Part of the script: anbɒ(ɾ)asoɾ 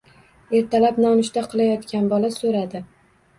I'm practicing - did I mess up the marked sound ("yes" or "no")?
yes